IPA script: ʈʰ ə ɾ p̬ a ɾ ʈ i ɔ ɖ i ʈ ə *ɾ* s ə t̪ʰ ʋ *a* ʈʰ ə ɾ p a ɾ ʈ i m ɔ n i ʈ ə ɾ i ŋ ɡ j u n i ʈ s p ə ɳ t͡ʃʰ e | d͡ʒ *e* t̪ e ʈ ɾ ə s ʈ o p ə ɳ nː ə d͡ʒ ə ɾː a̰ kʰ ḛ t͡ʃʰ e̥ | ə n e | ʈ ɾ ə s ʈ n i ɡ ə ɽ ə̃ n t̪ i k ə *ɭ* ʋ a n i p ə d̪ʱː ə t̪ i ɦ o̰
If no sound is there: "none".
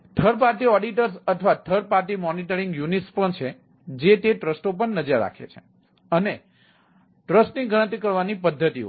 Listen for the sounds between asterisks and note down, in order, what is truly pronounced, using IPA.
ɾ, a, e, ɾ

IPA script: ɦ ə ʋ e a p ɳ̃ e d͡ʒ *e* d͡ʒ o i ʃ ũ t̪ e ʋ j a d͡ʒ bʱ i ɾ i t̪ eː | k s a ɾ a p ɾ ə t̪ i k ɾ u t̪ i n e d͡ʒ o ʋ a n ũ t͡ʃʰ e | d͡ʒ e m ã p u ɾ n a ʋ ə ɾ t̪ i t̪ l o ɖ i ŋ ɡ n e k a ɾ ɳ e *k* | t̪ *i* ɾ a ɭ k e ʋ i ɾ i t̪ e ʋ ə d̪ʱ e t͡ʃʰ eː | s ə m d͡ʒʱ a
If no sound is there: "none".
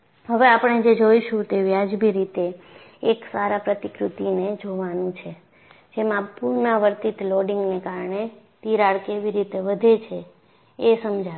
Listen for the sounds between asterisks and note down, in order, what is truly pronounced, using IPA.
e, none, i

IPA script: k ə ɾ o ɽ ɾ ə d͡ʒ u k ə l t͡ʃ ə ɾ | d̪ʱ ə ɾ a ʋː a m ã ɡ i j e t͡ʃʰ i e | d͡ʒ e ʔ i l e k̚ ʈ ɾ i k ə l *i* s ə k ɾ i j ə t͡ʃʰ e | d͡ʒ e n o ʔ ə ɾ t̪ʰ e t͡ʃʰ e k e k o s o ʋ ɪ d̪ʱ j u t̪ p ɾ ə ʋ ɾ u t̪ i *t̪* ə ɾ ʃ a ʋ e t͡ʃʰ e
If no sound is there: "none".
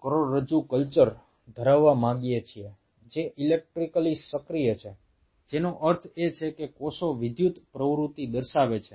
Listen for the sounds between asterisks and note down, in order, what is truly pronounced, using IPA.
i, d̪

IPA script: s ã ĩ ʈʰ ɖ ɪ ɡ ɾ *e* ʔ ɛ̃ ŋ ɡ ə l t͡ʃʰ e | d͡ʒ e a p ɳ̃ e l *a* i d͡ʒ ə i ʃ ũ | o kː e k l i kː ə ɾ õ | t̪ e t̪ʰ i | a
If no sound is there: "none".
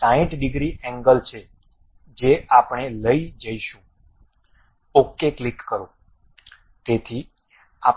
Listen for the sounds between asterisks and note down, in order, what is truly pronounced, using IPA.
i, ə

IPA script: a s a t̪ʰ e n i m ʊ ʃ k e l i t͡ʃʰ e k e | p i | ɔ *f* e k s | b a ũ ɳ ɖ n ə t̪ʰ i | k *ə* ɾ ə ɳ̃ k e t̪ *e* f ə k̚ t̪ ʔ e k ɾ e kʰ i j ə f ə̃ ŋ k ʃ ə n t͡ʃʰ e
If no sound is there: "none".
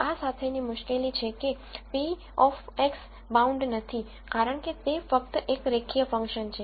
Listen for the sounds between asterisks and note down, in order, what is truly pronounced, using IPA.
f, a, e

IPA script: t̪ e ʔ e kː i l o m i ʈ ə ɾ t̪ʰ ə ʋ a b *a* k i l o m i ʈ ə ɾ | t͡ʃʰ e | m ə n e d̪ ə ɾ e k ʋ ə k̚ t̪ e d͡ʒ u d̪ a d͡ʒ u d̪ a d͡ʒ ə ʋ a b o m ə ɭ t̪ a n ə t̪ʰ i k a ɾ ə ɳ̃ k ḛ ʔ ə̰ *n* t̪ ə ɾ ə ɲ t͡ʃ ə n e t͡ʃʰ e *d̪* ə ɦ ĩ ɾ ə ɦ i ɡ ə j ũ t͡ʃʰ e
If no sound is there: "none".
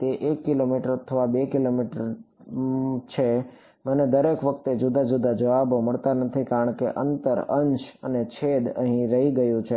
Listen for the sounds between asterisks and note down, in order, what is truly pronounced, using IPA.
e, n, d̪

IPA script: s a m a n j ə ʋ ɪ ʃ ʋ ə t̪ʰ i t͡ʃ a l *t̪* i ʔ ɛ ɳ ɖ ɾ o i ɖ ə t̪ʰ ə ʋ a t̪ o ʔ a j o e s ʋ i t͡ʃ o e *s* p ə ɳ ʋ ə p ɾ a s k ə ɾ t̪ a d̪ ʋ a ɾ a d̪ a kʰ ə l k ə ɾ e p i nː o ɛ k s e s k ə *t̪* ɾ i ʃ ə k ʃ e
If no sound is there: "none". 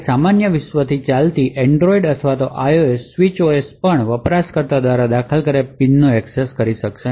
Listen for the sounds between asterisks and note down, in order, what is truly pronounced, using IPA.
t̪, s, none

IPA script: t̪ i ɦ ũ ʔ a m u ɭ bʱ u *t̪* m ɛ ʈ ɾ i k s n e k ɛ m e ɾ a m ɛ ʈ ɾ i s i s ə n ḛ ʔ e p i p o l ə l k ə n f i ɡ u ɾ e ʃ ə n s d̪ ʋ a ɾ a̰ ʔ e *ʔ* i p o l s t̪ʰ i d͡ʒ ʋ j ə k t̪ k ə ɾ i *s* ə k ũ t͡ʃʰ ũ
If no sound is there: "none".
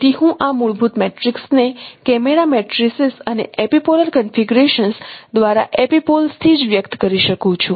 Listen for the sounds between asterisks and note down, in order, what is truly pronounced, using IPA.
t̪, p, ʃ

